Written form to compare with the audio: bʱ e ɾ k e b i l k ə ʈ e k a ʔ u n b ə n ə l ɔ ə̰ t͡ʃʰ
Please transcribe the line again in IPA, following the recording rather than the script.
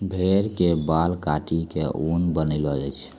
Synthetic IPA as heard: bʱ e ɾ k e b a l k a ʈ i k e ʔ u n b ə n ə l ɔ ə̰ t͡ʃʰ